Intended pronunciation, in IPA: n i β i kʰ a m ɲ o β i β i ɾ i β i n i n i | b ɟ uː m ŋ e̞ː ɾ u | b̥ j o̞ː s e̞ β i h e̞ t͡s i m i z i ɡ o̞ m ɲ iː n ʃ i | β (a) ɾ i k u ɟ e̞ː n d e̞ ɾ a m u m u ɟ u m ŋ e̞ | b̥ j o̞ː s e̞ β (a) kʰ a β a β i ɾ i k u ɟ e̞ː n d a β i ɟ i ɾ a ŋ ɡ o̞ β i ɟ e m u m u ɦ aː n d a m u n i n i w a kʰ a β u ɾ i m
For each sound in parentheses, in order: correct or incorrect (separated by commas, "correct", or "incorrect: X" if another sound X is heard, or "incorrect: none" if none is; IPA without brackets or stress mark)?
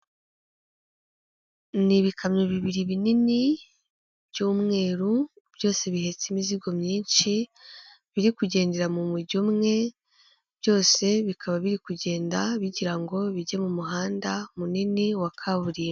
incorrect: i, incorrect: i